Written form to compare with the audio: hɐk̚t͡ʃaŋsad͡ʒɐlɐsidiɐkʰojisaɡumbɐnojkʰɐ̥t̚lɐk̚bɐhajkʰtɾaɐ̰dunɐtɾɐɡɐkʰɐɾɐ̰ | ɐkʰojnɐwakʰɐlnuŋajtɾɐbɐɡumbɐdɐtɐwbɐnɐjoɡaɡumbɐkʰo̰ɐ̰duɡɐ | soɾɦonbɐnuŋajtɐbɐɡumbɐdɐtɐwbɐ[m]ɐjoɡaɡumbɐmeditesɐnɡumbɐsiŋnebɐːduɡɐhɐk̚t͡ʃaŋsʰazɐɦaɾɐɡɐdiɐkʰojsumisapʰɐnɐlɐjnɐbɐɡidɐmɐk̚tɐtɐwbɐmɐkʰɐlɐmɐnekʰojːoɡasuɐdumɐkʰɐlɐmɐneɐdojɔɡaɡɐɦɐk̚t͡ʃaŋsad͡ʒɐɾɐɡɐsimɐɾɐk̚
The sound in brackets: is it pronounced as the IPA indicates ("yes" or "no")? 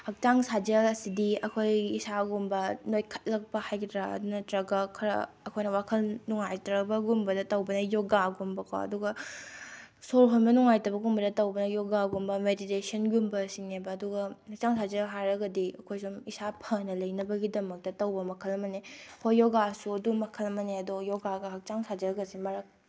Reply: no